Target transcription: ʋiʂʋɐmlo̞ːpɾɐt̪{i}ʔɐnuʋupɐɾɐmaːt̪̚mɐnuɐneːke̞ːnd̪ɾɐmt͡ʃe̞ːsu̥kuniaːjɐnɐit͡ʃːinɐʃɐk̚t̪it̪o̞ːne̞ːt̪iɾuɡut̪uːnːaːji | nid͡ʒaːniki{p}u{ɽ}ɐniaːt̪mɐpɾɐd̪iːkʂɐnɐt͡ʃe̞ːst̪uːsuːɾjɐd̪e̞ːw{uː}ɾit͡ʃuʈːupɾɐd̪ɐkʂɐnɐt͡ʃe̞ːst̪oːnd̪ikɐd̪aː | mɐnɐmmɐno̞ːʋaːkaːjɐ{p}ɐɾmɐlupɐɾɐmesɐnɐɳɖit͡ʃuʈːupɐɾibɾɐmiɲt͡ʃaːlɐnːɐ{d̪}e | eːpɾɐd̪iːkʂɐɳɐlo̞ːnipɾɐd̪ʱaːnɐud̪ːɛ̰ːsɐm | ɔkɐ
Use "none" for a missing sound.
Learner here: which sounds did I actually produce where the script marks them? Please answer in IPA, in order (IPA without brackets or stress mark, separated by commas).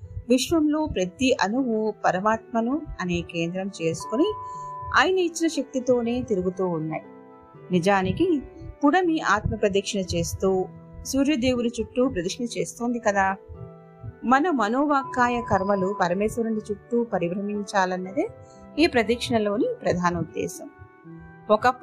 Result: i, p, ɽ, u, k, d̪